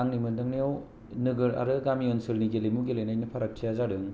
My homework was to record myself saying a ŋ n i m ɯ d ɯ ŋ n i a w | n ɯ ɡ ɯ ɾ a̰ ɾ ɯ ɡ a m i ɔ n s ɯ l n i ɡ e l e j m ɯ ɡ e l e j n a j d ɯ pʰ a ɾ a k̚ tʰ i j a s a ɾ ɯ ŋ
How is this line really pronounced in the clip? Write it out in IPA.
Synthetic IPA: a ŋ n i m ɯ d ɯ ŋ n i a w | n ɯ ɡ ɯ ɾ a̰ ɾ ɯ ɡ a m i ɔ n s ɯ l n i ɡ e l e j m u ɡ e l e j n a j n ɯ pʰ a ɾ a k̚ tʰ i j a z a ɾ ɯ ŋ